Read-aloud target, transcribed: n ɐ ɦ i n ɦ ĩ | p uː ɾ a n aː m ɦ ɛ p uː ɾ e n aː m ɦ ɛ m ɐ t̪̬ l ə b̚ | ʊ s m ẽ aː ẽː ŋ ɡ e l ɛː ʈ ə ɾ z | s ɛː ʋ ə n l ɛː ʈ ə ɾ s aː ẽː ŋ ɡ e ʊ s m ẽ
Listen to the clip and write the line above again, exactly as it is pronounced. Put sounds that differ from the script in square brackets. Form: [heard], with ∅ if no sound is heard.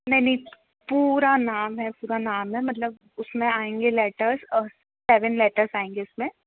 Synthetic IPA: n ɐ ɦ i n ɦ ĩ | p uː ɾ a n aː m ɦ ɛ p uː ɾ [a] n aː m ɦ ɛ m ɐ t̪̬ l ə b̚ | ʊ s m ẽ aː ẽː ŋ ɡ e l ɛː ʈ ə ɾ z | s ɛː ʋ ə n l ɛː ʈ ə ɾ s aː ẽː ŋ ɡ e ʊ s m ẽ

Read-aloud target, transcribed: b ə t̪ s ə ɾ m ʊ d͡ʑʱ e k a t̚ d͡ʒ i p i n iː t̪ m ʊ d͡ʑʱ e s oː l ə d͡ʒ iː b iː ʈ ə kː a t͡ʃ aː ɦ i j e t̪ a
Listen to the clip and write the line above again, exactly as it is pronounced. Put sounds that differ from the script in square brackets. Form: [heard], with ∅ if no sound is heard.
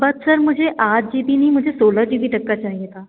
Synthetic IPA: b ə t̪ s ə ɾ m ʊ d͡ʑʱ e [ʔ] a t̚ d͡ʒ i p i n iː [∅] m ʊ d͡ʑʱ e s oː l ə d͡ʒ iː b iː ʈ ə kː a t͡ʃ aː ɦ i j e t̪ a

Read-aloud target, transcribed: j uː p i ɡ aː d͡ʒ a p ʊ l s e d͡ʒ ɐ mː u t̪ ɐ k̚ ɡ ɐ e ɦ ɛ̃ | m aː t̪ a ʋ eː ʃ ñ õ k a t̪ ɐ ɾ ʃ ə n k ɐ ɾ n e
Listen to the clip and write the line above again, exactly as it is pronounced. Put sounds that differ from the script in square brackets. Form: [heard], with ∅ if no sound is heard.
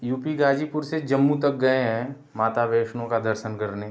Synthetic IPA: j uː p i ɡ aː d͡ʒ [i] p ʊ [ɾ] s e d͡ʒ ɐ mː u t̪ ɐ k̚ ɡ ɐ e ɦ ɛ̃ | m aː t̪ a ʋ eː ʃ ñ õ k a [d̪] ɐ ɾ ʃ ə n k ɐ ɾ n e

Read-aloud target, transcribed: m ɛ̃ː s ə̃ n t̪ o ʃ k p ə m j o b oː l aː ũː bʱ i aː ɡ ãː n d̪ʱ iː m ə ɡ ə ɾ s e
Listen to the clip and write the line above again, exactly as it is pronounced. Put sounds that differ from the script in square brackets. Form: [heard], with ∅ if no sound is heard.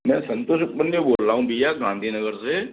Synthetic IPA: m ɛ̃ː s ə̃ n t̪ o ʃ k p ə [n] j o b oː l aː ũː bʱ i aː ɡ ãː n d̪ʱ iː [n] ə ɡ ə ɾ s e

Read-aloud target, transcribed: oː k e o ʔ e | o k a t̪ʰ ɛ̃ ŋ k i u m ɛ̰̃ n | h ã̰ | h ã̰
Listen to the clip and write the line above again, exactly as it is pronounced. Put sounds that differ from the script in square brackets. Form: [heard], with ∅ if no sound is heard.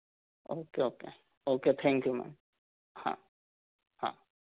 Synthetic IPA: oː k e o [k] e | o k [e] t̪ʰ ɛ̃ ŋ k [j] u m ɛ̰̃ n | h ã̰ | h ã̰

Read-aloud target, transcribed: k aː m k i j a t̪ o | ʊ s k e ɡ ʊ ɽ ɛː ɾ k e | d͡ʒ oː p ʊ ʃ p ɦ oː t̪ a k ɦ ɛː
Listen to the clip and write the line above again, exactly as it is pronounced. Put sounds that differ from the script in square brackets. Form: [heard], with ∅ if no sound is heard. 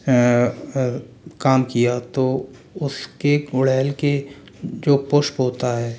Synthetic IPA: k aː m k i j a t̪ o | ʊ s k e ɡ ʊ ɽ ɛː [l] k e | d͡ʒ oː p ʊ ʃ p ɦ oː t̪ a [∅] ɦ ɛː

